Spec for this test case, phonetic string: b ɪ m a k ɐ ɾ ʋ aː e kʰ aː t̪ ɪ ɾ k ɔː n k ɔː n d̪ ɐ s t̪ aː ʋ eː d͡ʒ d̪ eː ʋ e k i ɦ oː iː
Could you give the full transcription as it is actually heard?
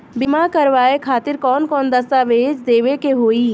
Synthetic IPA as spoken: b ɪ m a k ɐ ɾ ʋ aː e kʰ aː t̪ ɪ ɾ k ɔː n k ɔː n d̪ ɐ s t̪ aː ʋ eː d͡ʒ d̪ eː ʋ e k e ɦ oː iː